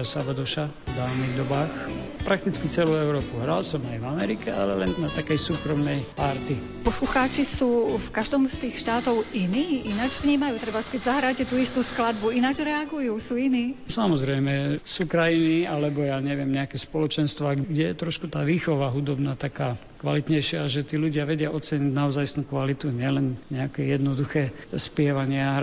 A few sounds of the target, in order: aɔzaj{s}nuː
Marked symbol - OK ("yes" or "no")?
yes